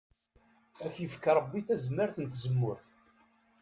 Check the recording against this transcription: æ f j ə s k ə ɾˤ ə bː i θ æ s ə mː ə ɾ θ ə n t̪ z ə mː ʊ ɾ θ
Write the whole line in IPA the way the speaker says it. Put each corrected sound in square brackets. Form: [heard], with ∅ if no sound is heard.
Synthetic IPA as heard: æ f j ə [f] k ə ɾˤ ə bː i θ æ [z] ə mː ə ɾ θ ə n t̪ z ə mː ʊ ɾ θ